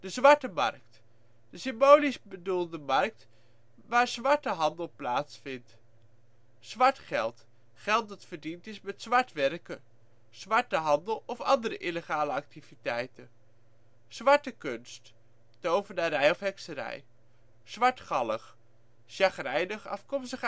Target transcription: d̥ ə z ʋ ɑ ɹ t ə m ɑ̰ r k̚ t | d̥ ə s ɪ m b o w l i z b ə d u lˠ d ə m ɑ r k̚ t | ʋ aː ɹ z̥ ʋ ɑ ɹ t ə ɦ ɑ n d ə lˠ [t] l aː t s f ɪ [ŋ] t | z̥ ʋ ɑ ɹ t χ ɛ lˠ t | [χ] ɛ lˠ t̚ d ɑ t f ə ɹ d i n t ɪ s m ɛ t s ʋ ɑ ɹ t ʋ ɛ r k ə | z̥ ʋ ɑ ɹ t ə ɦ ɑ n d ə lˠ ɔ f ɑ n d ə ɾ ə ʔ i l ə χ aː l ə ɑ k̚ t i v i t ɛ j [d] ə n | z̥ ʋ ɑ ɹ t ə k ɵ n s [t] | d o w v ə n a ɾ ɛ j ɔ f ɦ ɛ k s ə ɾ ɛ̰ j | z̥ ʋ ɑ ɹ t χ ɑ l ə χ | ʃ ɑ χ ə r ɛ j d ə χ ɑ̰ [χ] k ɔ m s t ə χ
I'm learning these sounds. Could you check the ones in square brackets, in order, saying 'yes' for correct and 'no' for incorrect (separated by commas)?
no, no, yes, no, yes, no